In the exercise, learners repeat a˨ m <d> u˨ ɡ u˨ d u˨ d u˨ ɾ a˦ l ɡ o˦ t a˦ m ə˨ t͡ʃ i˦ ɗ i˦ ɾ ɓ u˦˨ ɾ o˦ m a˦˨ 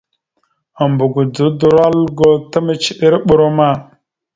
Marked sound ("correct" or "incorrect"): incorrect